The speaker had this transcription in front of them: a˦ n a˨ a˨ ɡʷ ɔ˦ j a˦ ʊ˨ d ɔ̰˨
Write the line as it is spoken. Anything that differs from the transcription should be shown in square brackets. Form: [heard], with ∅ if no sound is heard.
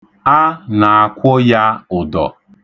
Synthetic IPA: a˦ n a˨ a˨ [kʷ] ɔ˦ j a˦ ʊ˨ d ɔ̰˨